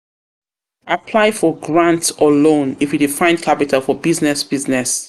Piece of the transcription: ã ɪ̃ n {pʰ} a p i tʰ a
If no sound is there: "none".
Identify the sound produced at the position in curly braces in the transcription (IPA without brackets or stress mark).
kʰ